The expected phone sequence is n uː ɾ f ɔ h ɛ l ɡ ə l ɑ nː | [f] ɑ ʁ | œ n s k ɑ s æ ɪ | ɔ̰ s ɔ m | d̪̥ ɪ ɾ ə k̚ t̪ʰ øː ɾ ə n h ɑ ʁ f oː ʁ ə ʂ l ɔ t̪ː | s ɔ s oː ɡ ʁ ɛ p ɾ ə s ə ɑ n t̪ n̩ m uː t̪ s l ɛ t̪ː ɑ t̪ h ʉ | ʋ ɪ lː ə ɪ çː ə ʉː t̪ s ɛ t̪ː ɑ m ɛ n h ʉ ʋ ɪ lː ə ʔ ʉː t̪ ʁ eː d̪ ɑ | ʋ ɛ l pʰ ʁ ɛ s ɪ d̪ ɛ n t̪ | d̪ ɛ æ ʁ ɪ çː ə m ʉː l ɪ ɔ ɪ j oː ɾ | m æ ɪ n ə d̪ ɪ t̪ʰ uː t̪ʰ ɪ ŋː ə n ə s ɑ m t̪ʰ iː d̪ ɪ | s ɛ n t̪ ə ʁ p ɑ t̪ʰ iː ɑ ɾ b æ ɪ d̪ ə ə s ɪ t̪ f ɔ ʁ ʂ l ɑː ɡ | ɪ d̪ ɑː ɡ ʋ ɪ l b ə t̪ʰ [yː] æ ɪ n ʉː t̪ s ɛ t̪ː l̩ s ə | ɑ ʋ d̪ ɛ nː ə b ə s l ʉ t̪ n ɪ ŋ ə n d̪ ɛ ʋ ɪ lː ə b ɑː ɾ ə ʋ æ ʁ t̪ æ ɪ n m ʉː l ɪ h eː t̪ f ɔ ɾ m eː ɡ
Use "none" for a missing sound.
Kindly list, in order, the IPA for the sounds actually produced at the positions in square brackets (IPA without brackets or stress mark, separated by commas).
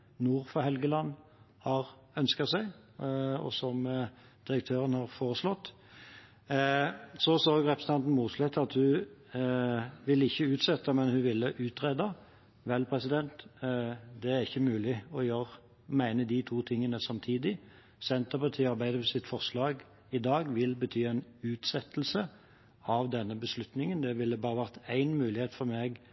h, yː